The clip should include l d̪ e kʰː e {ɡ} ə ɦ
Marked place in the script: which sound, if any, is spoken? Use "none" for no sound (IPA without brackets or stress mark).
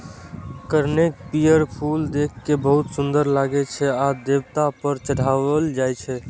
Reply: b